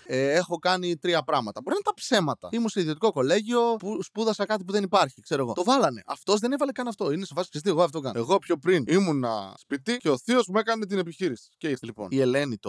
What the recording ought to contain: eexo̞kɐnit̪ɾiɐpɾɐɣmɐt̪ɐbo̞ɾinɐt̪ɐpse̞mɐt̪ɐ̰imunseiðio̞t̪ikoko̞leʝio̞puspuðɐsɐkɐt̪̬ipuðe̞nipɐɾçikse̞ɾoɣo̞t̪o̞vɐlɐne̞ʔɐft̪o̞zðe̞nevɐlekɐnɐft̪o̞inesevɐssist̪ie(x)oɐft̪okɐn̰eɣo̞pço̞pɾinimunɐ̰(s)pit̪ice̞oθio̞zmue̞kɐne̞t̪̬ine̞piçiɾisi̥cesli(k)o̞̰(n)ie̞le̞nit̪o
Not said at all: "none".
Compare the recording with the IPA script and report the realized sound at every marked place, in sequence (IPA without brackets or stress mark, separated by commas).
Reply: ɣ, s, p, n